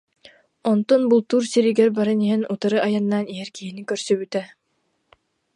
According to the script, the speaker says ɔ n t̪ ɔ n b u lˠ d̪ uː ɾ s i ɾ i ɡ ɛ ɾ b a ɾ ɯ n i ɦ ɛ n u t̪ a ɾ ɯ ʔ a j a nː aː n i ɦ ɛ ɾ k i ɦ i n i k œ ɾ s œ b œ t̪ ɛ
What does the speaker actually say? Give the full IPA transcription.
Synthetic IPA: ɔ n t̪ ɔ n b u lˠ t̪ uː ɾ s i ɾ i ɡ ɛ ɾ b a ɾ ɯ n i ɦ ɛ n u t̪ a ɾ ɯ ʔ a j a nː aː n i ɦ ɛ ɾ k i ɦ i n i k œ ɾ s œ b y t̪ ɛ